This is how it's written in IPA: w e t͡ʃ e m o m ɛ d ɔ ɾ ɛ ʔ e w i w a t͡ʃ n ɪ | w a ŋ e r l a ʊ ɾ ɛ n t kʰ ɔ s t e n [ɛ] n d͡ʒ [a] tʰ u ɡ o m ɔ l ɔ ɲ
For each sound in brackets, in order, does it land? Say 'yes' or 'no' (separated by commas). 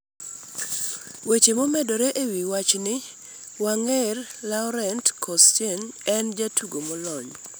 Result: yes, yes